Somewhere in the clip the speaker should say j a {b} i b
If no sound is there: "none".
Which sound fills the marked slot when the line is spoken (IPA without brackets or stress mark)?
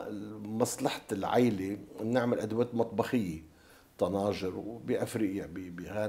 b